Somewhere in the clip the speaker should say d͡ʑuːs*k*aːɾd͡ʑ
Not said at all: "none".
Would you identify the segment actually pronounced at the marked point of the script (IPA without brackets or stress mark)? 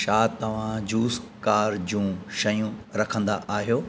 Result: k